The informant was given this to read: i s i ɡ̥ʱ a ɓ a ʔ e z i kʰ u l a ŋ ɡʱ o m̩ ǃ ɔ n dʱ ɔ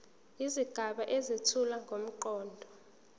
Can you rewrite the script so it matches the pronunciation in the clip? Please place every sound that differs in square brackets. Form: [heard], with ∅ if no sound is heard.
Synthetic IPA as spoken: i [z] i ɡ̥ʱ a ɓ a ʔ e z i [tʰ] u l a ŋ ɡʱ o m̩ ǃ [ɔː] n dʱ ɔ